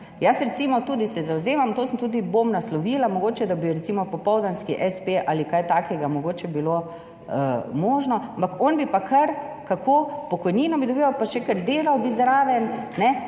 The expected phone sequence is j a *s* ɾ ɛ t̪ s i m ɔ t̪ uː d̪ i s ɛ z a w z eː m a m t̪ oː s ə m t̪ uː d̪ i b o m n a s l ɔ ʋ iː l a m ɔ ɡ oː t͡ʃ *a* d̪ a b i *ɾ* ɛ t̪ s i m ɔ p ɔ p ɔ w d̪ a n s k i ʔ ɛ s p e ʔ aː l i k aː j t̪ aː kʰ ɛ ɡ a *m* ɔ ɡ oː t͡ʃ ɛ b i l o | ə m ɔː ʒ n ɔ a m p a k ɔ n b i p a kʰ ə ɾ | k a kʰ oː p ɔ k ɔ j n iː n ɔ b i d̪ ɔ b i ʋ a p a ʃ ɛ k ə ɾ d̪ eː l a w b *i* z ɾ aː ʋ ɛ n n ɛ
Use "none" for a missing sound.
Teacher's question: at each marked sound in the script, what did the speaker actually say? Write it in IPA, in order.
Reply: s, ɛ, ɾ, m, i

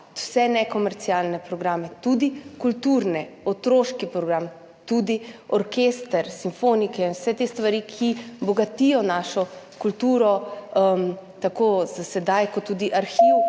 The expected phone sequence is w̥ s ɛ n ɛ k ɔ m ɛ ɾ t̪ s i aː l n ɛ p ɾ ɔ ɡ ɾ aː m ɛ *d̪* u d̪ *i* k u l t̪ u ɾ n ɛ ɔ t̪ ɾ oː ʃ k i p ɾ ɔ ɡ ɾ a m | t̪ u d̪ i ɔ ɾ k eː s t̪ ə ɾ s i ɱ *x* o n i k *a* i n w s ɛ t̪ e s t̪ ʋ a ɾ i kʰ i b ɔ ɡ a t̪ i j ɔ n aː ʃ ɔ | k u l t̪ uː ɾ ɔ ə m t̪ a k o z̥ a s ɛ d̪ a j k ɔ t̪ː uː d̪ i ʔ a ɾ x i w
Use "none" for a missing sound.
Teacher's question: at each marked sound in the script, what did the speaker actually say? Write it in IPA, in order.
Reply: t̪, i, f, ɛ

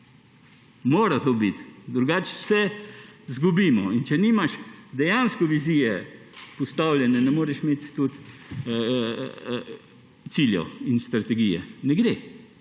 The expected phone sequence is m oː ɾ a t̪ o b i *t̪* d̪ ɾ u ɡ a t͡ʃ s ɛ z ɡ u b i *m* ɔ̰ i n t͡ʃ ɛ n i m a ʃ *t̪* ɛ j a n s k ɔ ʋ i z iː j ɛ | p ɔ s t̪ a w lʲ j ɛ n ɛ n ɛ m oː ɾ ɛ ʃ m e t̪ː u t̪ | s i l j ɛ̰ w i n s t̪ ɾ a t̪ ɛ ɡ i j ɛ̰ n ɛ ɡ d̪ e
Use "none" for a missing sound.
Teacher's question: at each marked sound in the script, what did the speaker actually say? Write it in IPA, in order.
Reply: t̪, m, d̪

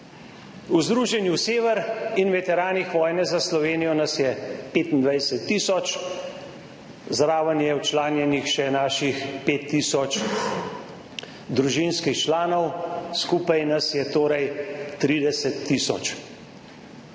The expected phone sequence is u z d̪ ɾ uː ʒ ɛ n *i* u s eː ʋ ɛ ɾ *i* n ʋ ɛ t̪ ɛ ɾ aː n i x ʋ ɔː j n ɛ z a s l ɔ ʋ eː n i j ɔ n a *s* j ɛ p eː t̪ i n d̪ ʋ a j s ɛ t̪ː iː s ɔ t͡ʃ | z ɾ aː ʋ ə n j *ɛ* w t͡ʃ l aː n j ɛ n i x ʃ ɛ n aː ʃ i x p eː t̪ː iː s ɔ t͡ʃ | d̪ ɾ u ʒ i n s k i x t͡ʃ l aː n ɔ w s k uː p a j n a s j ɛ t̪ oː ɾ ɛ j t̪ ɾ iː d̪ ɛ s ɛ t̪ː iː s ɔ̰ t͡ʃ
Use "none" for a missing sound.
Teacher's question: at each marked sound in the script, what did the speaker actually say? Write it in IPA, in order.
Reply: j, i, s, ɛ

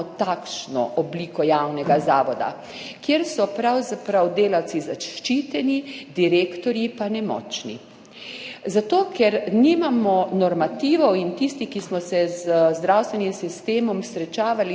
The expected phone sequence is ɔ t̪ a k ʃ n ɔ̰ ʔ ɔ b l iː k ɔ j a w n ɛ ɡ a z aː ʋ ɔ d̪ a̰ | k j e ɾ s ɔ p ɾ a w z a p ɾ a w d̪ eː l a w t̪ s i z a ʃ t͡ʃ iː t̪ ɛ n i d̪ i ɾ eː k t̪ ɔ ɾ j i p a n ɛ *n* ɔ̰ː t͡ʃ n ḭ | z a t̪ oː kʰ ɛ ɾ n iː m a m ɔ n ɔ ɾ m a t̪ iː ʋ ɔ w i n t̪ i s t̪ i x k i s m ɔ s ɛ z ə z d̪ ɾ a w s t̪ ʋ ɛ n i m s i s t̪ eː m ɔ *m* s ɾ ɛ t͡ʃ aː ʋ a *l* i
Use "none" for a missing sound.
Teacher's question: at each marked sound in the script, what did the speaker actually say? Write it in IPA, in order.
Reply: m, m, l

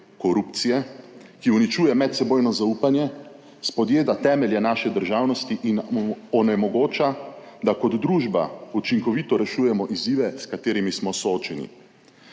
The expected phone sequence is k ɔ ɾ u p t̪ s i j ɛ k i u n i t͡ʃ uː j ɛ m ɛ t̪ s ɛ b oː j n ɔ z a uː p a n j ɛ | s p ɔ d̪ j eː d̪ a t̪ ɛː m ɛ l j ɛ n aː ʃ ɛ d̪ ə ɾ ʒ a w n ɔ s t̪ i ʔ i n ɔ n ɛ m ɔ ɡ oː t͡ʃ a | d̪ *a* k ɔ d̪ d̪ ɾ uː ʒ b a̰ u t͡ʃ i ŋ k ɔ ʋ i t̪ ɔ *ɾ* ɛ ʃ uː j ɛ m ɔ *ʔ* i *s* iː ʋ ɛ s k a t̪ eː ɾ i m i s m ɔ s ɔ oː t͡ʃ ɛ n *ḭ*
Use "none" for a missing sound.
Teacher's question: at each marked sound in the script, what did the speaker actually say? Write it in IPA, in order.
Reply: a, ɾ, ʔ, z, ḭ

